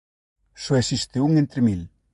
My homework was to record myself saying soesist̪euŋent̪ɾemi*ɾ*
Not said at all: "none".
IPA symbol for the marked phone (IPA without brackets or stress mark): l